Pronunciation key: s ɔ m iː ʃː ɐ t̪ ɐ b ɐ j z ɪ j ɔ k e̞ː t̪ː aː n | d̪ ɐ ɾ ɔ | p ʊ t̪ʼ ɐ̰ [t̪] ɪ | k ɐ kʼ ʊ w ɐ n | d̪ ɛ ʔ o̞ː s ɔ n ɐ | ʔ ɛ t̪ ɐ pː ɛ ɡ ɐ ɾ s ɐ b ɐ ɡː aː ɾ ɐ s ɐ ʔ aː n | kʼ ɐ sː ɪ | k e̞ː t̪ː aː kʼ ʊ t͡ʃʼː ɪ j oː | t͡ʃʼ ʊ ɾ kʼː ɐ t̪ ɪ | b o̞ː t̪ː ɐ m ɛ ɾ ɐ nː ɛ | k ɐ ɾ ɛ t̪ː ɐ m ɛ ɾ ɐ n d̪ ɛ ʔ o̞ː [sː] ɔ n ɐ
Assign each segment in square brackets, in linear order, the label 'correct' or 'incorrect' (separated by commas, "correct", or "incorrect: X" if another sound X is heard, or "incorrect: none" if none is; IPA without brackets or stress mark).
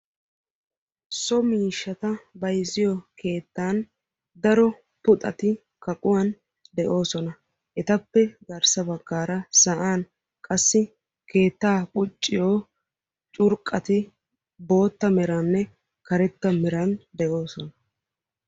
correct, incorrect: s